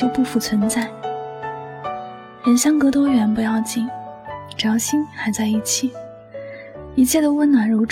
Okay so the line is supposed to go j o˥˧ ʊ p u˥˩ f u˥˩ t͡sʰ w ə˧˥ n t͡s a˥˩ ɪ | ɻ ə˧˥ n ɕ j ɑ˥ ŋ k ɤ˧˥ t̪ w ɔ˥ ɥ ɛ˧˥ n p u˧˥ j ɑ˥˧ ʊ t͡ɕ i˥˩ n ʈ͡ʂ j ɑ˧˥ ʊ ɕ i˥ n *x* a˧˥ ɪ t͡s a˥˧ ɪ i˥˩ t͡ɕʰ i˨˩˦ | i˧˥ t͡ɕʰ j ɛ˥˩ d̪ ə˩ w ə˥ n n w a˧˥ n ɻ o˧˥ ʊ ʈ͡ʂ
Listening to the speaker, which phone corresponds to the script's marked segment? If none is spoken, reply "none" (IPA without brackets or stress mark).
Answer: x